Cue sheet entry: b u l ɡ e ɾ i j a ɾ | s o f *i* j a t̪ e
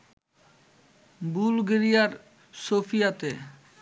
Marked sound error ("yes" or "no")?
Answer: no